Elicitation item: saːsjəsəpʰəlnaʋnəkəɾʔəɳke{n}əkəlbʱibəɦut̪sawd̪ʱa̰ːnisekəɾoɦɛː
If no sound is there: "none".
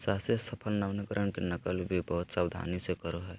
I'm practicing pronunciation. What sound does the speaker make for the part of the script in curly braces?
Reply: n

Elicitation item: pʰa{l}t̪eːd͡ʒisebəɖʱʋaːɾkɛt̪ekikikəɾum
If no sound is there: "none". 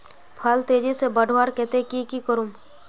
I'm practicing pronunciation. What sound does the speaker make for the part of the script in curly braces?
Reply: l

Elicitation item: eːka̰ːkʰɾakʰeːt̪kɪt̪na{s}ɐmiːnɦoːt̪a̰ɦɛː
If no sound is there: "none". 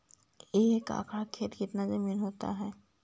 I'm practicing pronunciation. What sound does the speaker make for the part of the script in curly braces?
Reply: z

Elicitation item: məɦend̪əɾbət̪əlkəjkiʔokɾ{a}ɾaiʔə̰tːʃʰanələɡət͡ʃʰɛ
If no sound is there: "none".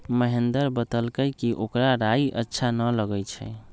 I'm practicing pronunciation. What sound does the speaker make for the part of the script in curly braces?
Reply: a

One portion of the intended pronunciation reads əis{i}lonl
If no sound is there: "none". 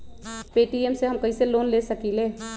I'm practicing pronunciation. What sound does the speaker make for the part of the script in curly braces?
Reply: e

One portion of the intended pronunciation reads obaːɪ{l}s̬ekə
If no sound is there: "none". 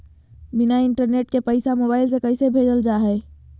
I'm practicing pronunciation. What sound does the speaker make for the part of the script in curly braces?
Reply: l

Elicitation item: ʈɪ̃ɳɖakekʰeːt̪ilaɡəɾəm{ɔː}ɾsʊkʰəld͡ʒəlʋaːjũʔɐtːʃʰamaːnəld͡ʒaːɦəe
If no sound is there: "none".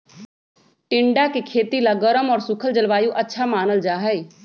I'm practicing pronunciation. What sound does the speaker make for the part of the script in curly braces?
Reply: ɔː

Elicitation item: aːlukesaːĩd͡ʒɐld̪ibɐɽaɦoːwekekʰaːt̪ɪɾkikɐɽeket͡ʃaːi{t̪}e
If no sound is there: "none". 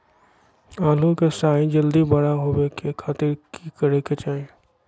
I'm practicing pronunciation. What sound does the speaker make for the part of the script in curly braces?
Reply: none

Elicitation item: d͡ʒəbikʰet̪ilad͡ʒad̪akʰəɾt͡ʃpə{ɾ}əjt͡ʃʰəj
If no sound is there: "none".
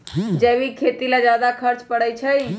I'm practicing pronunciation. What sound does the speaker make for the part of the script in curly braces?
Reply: ɽ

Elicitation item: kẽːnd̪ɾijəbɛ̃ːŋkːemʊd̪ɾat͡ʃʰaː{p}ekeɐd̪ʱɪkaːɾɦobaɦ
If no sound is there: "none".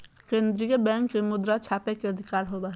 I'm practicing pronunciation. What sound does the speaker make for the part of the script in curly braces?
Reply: p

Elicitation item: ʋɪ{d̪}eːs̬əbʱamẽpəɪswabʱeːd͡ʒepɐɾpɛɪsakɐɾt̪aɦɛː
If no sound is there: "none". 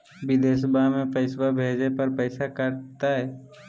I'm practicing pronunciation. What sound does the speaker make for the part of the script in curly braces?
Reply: d̪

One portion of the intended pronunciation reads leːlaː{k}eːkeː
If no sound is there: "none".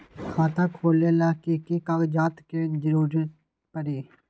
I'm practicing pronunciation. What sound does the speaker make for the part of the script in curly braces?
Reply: k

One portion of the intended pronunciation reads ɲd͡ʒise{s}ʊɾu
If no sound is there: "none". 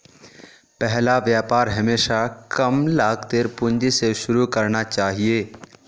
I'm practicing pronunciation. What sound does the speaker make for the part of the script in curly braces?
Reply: ʃ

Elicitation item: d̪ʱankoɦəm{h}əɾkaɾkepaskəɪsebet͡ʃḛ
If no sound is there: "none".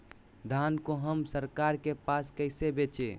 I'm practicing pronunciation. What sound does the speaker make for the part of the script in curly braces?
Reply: s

